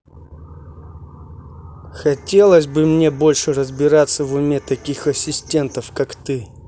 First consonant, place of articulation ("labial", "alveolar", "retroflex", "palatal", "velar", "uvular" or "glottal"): velar